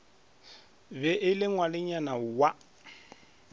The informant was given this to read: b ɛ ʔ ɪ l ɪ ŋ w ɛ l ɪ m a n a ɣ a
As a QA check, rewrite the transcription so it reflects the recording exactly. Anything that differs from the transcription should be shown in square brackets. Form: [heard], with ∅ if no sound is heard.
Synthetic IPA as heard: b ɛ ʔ ɪ l ɪ ŋ w [a] l ɪ [ɲ] a n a [w] a